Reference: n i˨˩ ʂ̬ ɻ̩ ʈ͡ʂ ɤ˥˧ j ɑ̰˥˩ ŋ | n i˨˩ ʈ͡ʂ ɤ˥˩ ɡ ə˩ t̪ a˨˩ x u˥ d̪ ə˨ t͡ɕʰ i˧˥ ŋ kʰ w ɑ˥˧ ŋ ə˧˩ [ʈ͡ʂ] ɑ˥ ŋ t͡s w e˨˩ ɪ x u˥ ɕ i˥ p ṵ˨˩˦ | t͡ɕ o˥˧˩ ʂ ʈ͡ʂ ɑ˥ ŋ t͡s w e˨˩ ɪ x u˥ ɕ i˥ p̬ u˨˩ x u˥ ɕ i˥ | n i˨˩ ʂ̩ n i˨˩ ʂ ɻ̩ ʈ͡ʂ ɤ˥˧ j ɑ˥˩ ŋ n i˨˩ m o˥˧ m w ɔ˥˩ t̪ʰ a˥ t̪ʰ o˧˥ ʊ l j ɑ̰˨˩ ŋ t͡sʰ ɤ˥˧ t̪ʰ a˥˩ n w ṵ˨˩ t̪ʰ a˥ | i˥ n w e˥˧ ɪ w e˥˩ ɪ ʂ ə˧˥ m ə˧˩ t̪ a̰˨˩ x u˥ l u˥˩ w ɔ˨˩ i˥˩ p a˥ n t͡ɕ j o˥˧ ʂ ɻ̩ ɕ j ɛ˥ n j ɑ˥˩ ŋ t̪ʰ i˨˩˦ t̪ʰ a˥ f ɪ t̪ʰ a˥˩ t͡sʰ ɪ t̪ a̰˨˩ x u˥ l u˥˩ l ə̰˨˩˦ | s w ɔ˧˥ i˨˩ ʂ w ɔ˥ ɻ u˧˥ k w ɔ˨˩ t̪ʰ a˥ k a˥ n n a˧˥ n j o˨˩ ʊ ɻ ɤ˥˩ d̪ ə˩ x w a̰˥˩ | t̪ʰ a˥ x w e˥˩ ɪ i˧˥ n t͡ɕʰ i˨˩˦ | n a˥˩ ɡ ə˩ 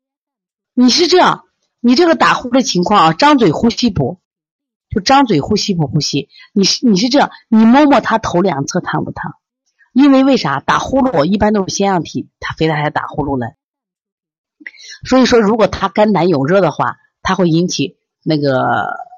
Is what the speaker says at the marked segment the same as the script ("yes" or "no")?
yes